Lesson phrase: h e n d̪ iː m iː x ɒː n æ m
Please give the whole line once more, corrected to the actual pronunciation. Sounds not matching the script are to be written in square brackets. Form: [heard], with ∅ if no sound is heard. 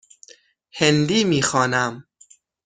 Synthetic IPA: h e n d̪ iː m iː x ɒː n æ m